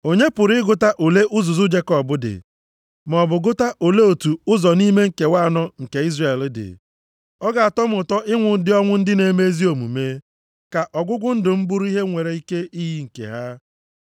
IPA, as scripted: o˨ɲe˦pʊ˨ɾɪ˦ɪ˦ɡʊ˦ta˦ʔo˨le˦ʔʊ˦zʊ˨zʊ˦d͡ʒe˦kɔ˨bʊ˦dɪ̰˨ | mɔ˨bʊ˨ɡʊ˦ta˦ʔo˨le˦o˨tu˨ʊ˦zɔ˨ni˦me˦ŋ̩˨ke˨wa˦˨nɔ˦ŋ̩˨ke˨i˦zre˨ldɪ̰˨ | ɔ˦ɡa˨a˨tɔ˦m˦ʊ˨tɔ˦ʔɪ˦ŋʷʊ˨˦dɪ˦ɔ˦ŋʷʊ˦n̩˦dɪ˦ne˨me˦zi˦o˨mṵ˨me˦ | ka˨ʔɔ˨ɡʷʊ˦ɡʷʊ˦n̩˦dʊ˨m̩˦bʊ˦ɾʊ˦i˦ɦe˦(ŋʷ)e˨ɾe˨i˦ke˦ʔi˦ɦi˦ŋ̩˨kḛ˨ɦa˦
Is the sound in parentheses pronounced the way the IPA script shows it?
yes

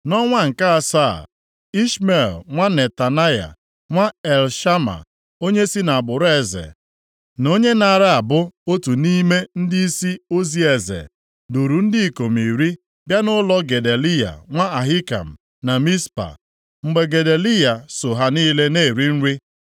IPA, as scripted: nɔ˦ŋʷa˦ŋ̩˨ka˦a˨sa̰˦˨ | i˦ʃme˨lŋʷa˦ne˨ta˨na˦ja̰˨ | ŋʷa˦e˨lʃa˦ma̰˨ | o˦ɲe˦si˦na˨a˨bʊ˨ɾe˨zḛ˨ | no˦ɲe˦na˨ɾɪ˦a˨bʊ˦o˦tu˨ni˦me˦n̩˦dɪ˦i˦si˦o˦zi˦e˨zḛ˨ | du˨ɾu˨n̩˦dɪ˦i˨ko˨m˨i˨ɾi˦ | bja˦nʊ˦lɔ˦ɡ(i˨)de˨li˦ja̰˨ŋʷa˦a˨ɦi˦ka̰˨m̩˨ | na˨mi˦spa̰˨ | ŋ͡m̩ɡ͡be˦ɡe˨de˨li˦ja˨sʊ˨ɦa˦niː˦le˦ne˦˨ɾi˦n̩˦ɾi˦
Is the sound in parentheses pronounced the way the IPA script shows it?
no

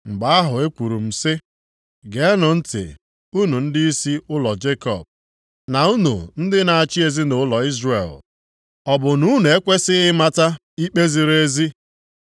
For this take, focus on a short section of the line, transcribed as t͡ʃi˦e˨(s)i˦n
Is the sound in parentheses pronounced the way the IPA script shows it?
no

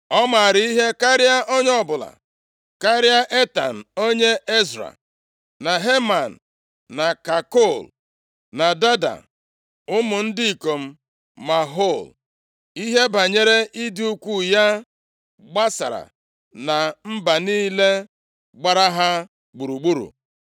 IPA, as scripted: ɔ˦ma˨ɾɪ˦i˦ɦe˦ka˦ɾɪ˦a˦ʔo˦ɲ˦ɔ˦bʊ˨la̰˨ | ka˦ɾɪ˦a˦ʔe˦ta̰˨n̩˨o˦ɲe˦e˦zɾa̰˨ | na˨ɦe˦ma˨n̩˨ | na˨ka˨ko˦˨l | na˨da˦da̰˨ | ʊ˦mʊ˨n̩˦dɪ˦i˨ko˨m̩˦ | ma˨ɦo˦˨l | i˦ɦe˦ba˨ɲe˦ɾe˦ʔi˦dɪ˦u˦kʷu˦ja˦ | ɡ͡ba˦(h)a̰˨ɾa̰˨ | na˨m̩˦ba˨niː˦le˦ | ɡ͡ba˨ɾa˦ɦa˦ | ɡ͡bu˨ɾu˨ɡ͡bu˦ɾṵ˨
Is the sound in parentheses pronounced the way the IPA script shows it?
no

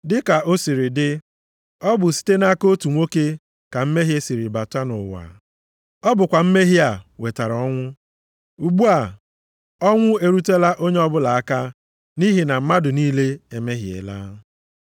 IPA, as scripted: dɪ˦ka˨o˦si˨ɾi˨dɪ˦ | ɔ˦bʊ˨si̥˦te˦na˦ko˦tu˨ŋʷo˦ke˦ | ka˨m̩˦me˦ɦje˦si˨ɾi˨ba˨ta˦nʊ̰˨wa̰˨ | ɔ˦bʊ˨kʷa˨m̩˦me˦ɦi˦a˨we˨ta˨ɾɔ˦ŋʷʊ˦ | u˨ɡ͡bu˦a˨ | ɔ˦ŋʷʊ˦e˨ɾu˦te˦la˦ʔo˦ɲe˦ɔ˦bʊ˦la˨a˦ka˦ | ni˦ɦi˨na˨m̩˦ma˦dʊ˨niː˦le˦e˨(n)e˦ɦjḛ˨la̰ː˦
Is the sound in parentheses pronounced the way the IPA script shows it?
no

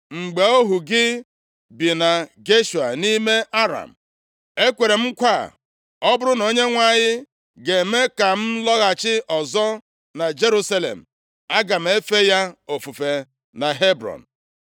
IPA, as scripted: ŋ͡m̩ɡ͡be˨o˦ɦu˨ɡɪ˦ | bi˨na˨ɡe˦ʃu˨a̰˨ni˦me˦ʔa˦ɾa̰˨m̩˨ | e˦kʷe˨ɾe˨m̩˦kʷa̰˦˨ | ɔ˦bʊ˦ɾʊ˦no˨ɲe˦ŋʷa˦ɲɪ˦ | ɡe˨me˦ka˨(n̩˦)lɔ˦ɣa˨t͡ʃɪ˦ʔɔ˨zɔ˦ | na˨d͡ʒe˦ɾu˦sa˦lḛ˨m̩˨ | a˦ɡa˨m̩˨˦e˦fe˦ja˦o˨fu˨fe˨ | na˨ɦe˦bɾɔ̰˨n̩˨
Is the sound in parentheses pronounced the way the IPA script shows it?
no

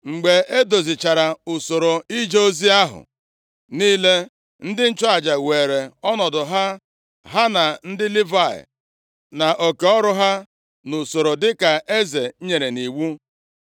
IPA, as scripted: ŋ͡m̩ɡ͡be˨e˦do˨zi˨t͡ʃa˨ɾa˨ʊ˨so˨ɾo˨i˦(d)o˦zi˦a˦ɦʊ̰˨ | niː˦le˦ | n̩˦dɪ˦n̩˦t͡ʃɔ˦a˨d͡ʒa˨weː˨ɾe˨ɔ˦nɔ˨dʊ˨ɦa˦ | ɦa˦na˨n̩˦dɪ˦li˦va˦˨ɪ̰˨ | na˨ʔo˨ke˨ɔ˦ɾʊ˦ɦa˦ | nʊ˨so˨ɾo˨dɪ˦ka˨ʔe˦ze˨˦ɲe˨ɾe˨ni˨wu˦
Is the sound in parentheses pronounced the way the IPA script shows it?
no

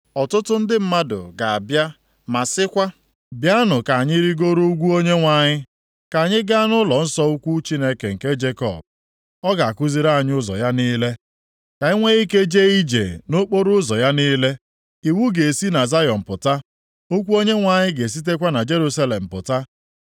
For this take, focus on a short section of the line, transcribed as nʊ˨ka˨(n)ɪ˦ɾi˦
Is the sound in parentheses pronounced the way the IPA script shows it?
no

